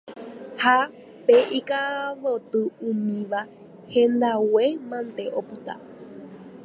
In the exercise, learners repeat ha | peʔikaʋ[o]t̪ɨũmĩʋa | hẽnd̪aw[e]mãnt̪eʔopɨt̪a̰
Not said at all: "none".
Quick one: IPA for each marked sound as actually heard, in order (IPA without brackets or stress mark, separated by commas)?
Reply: o, e